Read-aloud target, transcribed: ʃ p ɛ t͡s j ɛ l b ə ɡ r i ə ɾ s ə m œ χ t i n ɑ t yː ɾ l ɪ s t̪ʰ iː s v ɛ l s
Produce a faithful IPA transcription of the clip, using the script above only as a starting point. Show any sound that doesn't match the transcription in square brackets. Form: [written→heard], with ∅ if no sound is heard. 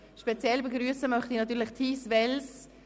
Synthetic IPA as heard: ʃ p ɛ t͡s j ɛ l b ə ɡ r [i→y] ə [ɾ→∅] s ə m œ χ t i n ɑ t yː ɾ l ɪ [s→χ] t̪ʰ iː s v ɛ l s